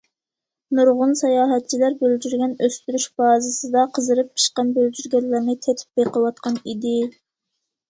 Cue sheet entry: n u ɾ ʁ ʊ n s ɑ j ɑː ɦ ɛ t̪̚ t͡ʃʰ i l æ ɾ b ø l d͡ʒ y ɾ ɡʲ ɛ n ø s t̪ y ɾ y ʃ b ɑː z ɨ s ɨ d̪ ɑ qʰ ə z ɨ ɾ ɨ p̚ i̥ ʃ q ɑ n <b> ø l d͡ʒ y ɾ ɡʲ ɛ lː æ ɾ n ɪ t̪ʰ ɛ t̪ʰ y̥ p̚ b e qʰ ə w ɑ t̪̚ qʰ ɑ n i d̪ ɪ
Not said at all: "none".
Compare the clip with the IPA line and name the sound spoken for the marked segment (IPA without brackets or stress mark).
b